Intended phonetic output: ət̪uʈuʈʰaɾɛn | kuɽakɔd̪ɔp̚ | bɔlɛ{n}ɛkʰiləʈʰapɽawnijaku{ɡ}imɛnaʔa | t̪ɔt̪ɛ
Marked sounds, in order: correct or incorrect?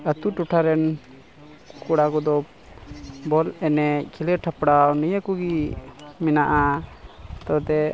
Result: correct, correct

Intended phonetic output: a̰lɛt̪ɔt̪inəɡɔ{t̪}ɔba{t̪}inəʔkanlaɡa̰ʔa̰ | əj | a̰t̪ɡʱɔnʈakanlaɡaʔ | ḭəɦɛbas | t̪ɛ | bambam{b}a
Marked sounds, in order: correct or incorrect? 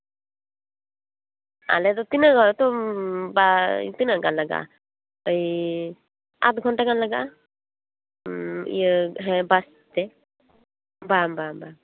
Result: correct, correct, correct

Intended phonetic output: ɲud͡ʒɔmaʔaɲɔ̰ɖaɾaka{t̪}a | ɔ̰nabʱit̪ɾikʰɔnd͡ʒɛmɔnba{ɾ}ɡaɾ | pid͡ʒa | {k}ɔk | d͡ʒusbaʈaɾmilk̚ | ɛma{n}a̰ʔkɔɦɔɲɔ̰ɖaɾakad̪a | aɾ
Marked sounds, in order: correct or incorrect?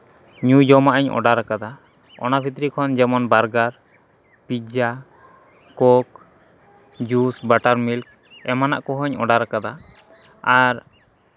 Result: incorrect, correct, correct, correct

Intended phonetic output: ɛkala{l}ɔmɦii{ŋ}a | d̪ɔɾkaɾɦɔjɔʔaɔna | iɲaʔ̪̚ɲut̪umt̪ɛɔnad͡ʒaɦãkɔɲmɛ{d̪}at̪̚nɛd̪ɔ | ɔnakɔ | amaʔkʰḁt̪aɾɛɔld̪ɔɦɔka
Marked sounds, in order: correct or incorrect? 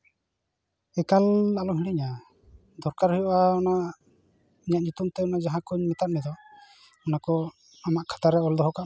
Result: correct, incorrect, incorrect

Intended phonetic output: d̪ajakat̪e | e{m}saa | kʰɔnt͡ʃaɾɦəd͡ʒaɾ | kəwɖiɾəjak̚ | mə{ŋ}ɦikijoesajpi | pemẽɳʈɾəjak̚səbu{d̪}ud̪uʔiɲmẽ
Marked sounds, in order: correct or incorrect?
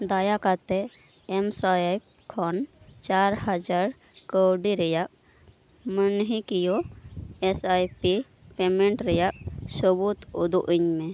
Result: correct, incorrect, incorrect

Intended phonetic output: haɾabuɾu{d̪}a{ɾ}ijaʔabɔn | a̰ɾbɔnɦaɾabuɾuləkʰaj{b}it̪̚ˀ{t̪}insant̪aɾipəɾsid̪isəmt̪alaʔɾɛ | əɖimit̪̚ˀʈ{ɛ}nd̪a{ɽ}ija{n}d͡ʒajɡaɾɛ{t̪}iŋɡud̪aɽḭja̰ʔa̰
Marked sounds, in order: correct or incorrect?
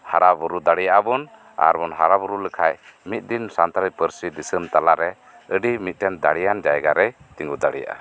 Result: correct, incorrect, incorrect, incorrect, correct, correct, correct, correct

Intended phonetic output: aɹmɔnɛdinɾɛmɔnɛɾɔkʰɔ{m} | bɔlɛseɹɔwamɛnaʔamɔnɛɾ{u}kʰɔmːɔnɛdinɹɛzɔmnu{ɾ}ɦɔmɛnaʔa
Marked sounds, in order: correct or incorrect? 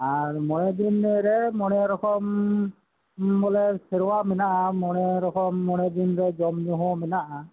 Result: correct, incorrect, incorrect

